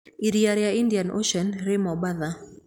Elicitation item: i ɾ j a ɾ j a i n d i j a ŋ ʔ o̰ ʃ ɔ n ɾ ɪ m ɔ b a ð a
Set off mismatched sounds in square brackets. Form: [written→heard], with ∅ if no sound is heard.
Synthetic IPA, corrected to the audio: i ɾ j a ɾ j a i n d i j a [ŋ→n] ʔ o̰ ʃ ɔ n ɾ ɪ m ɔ b a ð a